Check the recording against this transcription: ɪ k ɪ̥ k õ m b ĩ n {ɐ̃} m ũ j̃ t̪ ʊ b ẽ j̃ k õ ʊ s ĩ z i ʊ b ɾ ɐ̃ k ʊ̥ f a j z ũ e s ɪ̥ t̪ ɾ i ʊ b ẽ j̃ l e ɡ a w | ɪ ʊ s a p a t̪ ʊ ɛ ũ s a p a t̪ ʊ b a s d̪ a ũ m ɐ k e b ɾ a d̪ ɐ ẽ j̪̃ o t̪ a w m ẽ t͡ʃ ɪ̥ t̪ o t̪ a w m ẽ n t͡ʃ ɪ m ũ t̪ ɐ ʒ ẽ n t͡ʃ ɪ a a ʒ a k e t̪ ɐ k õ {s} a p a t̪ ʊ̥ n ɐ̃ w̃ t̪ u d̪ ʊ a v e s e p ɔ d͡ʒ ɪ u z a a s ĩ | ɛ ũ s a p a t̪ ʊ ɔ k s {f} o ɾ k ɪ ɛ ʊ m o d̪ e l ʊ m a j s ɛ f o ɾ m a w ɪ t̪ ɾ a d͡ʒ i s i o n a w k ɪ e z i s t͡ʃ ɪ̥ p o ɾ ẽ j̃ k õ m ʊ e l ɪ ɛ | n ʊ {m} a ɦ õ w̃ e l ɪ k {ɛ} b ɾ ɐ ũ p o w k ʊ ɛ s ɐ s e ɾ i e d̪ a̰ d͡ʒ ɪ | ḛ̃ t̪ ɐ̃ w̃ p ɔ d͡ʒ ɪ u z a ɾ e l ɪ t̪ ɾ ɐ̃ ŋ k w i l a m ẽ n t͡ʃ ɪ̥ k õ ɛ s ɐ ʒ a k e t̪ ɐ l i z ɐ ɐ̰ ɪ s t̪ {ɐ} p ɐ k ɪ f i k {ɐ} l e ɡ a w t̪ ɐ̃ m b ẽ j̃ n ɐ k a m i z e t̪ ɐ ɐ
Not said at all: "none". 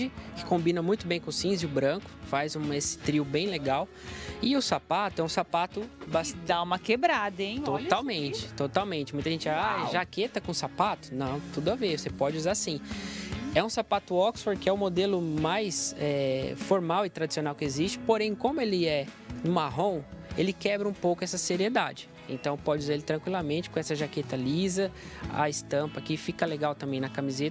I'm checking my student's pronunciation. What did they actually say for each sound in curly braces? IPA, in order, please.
ɐ, s, f, m, ɛ, ɐ̃, ɐ

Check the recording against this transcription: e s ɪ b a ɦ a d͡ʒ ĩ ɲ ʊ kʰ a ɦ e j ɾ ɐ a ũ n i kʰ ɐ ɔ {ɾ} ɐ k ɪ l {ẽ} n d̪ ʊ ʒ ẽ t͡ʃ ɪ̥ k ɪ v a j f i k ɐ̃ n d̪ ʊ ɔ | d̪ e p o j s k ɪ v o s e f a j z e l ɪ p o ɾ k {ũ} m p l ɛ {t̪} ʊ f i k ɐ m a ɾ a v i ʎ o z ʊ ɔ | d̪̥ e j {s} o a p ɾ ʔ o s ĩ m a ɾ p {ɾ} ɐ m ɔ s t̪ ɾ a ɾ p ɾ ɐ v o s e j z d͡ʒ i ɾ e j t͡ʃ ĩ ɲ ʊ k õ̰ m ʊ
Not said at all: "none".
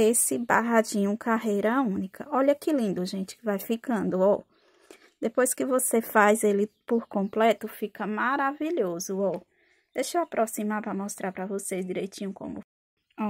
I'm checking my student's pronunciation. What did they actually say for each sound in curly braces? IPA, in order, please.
ʎ, ĩ, õ, t̪, ʃ, ɾ

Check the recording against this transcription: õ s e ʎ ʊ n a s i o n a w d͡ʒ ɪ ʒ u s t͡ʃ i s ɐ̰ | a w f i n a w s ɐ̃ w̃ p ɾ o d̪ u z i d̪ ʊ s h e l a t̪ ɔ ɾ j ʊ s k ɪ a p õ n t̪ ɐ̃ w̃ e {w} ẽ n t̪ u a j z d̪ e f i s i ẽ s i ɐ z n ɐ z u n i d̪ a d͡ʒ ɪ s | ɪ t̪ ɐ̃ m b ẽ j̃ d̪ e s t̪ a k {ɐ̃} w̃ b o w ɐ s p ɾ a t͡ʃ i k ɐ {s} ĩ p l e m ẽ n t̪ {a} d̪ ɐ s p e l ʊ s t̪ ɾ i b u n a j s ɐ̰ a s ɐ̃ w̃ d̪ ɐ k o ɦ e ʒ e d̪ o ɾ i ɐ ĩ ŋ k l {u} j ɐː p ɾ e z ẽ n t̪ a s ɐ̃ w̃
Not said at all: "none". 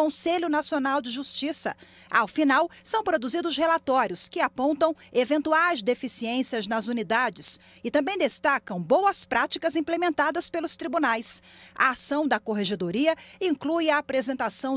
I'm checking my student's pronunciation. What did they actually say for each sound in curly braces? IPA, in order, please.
v, ɐ̃, z, a, u

